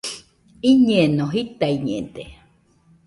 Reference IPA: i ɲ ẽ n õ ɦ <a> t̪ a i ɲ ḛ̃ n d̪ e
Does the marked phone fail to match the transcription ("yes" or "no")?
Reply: yes